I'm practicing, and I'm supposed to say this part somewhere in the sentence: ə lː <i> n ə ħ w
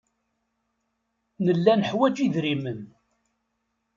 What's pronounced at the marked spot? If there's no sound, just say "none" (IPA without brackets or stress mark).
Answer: æ